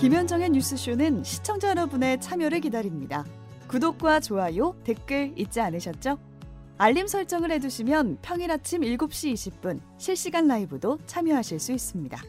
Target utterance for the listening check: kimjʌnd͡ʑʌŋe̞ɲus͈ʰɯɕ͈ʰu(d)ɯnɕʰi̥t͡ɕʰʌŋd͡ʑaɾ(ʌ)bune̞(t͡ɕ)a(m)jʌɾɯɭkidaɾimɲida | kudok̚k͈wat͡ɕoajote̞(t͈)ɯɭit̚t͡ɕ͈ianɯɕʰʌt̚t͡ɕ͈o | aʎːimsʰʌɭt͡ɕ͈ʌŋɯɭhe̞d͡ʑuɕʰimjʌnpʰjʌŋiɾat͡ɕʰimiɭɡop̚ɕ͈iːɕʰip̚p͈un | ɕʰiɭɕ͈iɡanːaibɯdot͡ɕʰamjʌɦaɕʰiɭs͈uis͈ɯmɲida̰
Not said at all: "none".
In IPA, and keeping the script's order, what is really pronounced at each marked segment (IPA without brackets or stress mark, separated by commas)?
n, ʌ, t͡ɕʰ, m, k͈